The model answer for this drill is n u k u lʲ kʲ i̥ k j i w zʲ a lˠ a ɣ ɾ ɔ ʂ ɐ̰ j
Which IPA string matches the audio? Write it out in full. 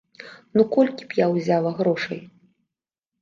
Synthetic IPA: n u k ɔ lʲ kʲ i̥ p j a w zʲ a lˠ ɐ ɣ ɾ ɔ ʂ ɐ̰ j